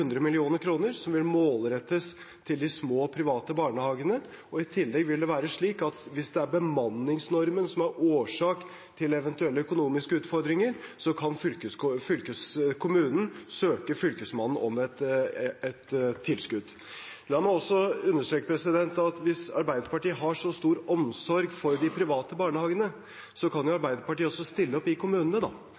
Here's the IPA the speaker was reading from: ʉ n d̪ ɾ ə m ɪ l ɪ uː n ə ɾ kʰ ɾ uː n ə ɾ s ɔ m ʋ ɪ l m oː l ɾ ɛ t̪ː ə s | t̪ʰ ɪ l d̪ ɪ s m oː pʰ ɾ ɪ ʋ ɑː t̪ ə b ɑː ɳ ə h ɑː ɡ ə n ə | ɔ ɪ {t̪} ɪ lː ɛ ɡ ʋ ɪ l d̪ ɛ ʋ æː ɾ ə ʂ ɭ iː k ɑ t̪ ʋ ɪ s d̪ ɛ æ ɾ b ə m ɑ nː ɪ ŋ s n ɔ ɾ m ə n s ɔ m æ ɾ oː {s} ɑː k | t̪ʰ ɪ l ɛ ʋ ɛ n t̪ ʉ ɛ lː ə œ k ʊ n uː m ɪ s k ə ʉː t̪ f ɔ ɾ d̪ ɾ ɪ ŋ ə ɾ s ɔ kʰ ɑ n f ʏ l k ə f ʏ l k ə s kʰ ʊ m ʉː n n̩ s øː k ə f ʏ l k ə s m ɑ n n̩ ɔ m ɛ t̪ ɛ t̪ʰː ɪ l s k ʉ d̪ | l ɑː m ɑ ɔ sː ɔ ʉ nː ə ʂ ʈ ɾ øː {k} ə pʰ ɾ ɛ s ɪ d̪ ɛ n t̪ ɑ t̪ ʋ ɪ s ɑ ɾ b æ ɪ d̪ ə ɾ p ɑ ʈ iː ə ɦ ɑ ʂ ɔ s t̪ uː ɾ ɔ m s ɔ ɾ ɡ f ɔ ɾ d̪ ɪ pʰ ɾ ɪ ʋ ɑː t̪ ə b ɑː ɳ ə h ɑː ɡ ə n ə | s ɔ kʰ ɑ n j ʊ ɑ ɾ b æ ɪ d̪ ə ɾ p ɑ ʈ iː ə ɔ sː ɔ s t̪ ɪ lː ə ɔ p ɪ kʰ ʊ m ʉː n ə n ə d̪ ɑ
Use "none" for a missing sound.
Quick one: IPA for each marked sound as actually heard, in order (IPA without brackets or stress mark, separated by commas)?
t̪ʰ, ʂ, k